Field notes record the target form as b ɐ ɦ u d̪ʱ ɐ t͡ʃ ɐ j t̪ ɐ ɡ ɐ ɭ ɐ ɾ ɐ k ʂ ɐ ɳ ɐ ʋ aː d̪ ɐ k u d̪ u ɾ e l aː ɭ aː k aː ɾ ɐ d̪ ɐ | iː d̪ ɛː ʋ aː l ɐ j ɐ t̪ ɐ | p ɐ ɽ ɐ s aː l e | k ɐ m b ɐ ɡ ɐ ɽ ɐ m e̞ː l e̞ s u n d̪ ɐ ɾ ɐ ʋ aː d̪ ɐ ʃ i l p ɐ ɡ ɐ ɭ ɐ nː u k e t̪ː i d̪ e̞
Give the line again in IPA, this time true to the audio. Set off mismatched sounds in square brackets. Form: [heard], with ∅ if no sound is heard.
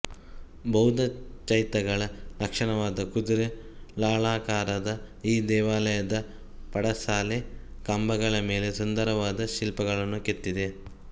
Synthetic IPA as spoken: b ɐ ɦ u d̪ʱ ɐ t͡ʃ ɐ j t̪ ɐ ɡ ɐ ɭ ɐ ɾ ɐ k ʂ ɐ ɳ ɐ ʋ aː d̪ ɐ k u d̪ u ɾ e l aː ɭ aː k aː ɾ ɐ d̪ ɐ | iː d̪ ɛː ʋ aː l ɐ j ɐ [d̪] ɐ | p ɐ ɽ ɐ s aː l e | k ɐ m b ɐ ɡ ɐ [ɭ] ɐ m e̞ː l e̞ s u n d̪ ɐ ɾ ɐ ʋ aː d̪ ɐ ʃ i l p ɐ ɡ ɐ ɭ ɐ nː u k e t̪ː i d̪ e̞